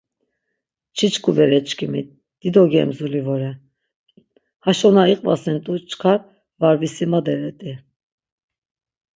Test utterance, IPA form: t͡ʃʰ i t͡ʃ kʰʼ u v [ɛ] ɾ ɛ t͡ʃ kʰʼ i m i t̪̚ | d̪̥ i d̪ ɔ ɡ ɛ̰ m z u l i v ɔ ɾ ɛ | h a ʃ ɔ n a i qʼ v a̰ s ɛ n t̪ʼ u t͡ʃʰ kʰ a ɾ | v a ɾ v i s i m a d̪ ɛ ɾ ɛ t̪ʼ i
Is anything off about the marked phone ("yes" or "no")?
no